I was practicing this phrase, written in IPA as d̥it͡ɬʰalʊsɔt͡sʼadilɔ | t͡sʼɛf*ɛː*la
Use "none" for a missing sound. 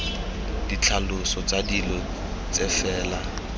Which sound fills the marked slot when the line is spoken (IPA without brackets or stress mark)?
ɛː